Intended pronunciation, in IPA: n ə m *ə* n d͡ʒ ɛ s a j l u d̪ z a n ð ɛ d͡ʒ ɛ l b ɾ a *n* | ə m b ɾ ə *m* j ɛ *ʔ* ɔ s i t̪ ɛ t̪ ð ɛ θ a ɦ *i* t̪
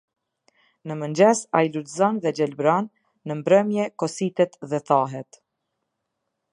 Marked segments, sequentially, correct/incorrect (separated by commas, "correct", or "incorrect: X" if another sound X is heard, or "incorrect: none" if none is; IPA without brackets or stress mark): correct, incorrect: nː, correct, incorrect: k, incorrect: ɛ